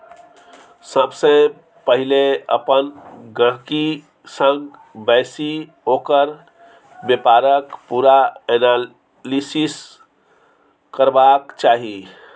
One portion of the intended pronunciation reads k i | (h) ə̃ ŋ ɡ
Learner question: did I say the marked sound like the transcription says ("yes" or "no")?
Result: no